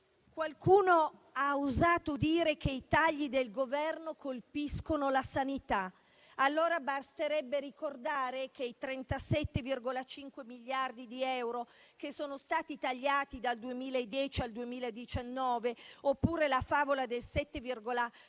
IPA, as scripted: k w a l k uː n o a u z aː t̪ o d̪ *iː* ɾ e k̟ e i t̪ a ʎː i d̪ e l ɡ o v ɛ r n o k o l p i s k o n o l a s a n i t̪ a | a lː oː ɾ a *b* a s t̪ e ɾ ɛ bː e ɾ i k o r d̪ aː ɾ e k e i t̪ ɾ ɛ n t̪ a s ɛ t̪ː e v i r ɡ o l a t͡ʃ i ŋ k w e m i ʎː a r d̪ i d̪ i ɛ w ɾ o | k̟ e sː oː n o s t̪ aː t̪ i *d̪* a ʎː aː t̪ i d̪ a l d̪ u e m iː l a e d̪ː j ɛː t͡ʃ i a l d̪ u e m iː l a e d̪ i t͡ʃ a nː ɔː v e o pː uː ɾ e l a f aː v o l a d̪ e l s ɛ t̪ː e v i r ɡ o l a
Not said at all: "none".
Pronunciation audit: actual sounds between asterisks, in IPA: iː, b, t̪

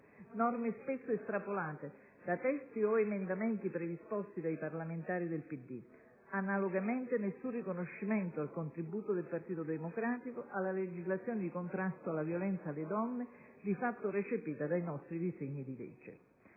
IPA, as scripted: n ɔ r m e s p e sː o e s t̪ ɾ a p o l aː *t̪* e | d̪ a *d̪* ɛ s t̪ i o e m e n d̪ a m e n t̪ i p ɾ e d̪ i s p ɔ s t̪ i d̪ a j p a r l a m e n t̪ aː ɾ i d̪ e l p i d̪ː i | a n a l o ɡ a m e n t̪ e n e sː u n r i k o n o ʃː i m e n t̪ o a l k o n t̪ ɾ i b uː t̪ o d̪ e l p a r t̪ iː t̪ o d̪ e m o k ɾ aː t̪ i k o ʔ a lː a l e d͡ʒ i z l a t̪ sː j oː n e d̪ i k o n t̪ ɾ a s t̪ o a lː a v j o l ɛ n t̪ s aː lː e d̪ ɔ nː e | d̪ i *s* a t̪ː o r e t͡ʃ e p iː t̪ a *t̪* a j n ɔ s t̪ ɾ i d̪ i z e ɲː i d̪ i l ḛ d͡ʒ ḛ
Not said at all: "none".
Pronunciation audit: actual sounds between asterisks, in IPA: t̪, t̪, f, d̪

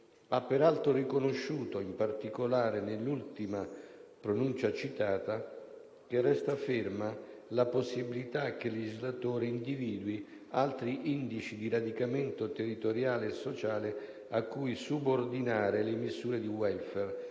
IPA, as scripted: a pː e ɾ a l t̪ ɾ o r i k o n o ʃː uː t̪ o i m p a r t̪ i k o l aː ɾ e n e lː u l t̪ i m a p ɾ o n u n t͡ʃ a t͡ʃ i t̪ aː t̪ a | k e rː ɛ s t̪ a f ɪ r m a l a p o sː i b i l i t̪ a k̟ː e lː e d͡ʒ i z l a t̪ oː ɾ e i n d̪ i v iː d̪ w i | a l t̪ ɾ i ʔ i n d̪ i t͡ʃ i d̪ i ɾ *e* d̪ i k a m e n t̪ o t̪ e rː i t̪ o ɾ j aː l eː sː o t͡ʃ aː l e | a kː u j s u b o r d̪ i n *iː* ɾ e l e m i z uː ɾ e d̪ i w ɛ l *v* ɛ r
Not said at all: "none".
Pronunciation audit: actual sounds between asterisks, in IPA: a, aː, f

